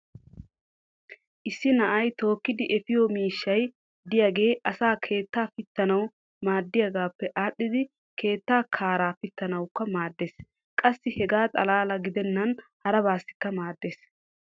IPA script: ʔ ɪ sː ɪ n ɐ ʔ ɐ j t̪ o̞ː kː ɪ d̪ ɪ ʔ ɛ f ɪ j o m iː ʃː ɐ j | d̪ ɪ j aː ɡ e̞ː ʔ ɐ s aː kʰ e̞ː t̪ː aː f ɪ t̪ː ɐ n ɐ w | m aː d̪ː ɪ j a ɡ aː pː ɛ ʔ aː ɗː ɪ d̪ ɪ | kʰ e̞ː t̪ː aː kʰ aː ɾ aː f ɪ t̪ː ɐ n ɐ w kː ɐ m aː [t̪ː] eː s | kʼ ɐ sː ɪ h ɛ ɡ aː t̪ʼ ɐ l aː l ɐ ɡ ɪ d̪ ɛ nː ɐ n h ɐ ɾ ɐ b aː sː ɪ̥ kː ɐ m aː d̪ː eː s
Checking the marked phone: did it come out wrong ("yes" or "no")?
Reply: yes